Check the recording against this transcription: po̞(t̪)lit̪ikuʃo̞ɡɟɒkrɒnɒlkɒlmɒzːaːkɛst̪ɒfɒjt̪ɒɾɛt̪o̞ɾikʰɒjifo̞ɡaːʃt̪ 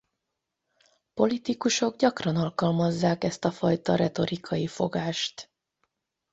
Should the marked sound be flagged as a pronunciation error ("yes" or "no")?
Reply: yes